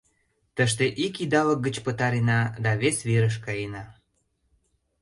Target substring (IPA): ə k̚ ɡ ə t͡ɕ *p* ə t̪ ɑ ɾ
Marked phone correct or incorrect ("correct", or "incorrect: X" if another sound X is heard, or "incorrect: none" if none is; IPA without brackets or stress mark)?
correct